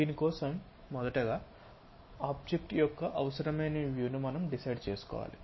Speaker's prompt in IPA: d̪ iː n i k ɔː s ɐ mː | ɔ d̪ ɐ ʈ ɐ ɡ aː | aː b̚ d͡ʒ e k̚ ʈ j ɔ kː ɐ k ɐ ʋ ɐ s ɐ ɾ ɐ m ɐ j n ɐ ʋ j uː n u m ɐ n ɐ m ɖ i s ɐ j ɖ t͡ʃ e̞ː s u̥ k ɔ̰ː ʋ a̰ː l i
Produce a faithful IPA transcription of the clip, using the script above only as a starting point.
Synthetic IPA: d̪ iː n i k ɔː s ɐ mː | ɔ d̪ ɐ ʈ ɐ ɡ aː | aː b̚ d͡ʒ e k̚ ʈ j ɔ kː ɐ ʔ ɐ ʋ ɐ s ɐ ɾ ɐ m ɐ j n ɐ ʋ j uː n u m ɐ n ɐ m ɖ i s ɐ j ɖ t͡ʃ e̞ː s u̥ k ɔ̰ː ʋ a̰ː l i